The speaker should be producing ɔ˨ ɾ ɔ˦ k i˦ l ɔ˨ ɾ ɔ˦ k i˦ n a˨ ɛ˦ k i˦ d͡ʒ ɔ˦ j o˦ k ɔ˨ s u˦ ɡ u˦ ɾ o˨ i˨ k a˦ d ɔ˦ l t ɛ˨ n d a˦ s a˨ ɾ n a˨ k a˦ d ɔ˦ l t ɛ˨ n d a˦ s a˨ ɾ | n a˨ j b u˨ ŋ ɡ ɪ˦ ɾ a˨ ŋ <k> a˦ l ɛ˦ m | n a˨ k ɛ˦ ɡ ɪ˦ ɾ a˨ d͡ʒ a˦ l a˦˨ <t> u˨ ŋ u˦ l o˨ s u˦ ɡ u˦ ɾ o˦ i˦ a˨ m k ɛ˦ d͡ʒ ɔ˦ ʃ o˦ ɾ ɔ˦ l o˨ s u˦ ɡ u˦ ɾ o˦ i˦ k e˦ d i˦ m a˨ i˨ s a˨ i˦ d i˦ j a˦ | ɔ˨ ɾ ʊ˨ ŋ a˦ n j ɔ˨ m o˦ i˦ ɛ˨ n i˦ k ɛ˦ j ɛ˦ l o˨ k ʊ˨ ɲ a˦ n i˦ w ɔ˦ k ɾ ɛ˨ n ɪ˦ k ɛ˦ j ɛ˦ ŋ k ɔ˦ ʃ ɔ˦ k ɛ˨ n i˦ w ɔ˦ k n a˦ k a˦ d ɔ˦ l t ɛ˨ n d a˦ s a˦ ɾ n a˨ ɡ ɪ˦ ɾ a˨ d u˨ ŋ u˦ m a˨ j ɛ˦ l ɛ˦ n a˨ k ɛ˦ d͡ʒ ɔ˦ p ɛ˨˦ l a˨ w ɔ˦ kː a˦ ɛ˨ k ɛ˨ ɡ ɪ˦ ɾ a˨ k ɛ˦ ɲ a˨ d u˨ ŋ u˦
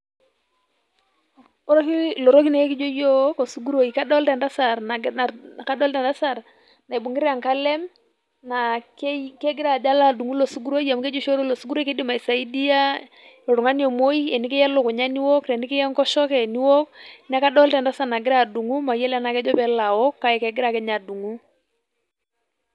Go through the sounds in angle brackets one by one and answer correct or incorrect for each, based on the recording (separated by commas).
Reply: correct, incorrect